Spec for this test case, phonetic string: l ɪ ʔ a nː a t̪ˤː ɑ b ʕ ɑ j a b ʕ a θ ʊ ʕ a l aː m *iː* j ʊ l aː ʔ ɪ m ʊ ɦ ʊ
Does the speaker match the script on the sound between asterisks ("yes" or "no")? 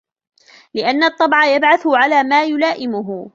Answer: no